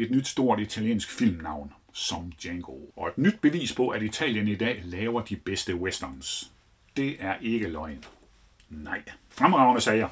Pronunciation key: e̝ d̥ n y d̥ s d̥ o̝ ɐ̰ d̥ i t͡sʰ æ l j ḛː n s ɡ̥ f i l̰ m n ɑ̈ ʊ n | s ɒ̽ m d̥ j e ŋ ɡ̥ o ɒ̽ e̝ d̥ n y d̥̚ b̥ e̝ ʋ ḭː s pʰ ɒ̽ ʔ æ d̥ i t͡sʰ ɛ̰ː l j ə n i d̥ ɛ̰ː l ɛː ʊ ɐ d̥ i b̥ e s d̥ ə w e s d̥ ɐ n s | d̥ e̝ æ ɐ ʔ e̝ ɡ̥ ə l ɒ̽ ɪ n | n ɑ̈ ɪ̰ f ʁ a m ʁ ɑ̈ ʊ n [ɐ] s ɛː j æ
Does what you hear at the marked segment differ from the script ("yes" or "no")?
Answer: yes